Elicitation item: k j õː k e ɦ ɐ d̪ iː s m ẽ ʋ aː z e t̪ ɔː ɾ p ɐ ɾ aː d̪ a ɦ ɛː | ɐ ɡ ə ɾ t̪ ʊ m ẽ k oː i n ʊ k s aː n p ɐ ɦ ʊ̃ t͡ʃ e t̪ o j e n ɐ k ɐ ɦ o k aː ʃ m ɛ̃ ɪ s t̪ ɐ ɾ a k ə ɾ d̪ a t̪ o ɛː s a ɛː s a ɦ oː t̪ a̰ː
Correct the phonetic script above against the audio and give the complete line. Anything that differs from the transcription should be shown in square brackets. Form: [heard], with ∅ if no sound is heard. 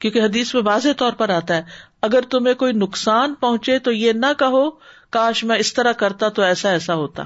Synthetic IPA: k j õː k e ɦ ɐ d̪ iː s m ẽ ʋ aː z e t̪ ɔː ɾ p ɐ ɾ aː [t̪] a ɦ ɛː | ɐ ɡ ə ɾ t̪ ʊ m ẽ k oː i n ʊ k s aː n p ɐ ɦ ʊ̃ t͡ʃ e t̪ o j e n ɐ k ɐ ɦ o k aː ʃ m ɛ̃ ɪ s t̪ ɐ ɾ a k [ɐ] ɾ [t̪] a t̪ o ɛː s a ɛː s a ɦ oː t̪ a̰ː